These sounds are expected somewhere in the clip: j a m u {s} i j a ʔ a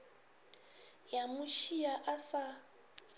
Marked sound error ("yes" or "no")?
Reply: yes